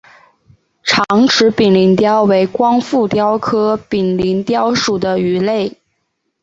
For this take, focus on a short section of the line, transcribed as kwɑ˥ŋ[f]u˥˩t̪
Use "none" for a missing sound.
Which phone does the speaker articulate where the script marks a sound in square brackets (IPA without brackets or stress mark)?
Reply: f